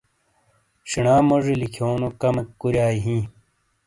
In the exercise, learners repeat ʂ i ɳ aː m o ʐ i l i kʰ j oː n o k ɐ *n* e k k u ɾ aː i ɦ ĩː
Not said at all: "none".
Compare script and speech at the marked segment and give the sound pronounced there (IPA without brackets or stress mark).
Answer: m